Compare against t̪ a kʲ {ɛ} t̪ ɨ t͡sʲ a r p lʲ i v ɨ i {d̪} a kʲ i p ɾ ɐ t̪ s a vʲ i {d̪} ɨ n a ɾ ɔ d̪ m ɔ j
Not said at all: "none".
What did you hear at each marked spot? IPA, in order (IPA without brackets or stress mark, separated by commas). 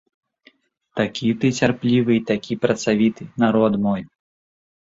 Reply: i, t̪, t̪